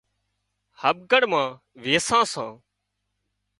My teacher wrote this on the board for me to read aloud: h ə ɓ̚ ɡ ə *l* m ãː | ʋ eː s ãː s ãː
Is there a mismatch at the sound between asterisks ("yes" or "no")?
yes